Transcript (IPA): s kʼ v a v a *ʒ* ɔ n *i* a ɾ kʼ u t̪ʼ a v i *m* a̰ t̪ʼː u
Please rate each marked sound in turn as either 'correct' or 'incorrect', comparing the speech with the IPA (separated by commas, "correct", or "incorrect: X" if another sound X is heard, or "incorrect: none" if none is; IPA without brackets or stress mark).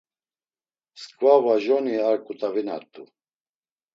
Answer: correct, correct, incorrect: n